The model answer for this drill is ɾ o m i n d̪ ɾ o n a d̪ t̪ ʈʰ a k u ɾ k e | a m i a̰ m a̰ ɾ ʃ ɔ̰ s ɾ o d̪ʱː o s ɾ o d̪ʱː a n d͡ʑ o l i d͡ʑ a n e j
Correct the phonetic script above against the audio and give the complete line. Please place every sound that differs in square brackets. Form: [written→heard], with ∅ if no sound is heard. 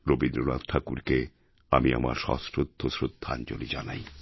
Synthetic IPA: ɾ o [m→b] i n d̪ ɾ o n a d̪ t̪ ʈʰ a k u ɾ k e | a m i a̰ m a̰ ɾ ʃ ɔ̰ s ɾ o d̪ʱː o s ɾ o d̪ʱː a n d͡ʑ o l i d͡ʑ a n [e→a] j

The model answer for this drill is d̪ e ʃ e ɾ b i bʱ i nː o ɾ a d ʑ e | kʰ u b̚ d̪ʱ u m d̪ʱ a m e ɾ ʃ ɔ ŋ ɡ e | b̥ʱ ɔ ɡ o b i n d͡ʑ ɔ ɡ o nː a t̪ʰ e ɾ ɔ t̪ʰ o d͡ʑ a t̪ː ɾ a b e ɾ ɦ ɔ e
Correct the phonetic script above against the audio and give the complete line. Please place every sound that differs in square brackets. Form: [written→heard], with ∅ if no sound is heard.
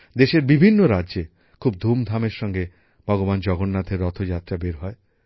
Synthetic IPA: d̪ e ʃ e ɾ b i bʱ i nː o ɾ a d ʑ e | kʰ u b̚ d̪ʱ u m d̪ʱ a m e ɾ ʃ ɔ ŋ ɡ e | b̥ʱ ɔ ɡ o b [i→a] n d͡ʑ ɔ ɡ o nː a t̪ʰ e ɾ ɔ t̪ʰ o d͡ʑ a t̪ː ɾ a b e ɾ ɦ ɔ e

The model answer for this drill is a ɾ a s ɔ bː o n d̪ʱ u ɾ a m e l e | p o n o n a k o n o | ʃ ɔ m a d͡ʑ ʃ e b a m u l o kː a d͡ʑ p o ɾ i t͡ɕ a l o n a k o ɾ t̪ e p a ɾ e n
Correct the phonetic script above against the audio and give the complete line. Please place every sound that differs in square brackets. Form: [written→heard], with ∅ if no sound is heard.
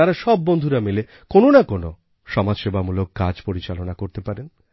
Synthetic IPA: a ɾ a [s→ʃ] ɔ bː o n d̪ʱ u ɾ a m e l e | [p→k] o n o n a k o n o | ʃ ɔ m a d͡ʑ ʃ e b a m u l o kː a d͡ʑ p o ɾ i t͡ɕ a l o n a k o ɾ t̪ e p a ɾ e n

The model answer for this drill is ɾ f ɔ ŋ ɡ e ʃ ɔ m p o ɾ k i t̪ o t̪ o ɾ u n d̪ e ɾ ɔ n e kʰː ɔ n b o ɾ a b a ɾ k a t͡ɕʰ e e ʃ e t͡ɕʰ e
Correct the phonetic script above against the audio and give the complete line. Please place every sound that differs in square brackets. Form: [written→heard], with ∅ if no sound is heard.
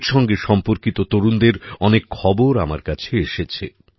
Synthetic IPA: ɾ [f→ʃ] ɔ ŋ ɡ e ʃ ɔ m p o ɾ k i t̪ o t̪ o ɾ u n d̪ e ɾ ɔ n e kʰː ɔ [n→∅] b o ɾ a [b→m] a ɾ k a t͡ɕʰ e e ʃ e t͡ɕʰ e

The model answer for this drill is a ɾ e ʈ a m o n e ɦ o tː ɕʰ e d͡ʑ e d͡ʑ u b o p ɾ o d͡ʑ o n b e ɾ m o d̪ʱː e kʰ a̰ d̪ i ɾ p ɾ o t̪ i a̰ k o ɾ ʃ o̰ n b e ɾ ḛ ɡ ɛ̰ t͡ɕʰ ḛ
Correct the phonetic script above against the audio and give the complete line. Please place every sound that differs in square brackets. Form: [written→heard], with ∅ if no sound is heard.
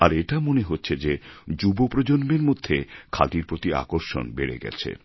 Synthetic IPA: a ɾ e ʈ a m o n e ɦ o tː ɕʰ e d͡ʑ e d͡ʑ u b o p ɾ o d͡ʑ o n b e ɾ m o d̪ʱː e kʰ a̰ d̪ i ɾ p ɾ o t̪ i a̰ k o ɾ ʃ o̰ n b e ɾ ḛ ɡ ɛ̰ t͡ɕʰ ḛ

